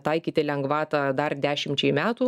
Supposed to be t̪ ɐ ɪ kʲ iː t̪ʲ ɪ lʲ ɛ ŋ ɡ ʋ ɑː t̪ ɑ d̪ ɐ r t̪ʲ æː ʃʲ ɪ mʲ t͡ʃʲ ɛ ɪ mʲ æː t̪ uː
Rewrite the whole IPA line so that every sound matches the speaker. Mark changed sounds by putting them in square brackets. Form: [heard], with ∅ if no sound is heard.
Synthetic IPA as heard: t̪ ɐ ɪ kʲ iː t̪ʲ ɪ lʲ ɛ ŋ ɡ ʋ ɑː t̪ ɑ d̪ ɐ r [d̪ʲ] æː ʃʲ ɪ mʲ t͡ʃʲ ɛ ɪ mʲ æː t̪ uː